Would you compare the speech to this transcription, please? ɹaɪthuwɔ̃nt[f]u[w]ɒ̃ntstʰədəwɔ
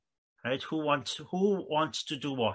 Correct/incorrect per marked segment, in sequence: incorrect: h, correct

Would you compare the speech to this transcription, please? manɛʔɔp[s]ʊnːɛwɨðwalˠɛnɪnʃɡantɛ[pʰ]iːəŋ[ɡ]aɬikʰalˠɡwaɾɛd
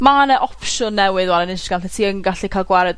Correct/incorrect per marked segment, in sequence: incorrect: ʃ, incorrect: tʰ, correct

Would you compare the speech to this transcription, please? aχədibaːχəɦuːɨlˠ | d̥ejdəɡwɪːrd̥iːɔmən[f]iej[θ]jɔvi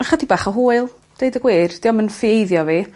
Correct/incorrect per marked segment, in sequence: correct, incorrect: ð

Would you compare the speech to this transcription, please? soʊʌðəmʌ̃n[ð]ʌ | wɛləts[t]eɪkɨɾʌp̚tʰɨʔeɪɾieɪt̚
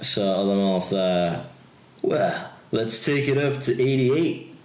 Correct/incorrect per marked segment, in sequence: incorrect: θ, incorrect: tʰ

